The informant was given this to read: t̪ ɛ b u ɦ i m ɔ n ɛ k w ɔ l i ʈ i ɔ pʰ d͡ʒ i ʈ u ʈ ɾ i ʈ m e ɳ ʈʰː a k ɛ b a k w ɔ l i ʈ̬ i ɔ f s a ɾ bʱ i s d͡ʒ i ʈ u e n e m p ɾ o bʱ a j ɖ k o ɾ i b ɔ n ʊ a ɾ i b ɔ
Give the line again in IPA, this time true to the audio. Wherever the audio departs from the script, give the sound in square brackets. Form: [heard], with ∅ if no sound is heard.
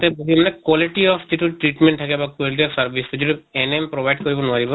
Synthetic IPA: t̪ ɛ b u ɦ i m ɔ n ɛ k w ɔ l i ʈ i ɔ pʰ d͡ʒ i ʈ u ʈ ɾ i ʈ m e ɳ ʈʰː a k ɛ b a k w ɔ l i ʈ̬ i ɔ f s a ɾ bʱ i s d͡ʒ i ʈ u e n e m p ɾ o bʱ a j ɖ k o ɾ i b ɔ n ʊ a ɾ i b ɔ